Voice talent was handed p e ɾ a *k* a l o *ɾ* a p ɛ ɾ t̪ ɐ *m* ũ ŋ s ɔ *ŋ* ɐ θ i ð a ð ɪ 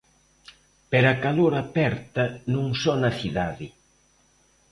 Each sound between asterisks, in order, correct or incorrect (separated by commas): correct, correct, incorrect, incorrect